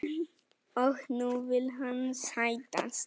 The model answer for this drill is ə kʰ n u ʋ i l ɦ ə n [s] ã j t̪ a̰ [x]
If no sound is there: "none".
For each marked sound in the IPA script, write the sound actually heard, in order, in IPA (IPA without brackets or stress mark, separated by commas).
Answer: s, s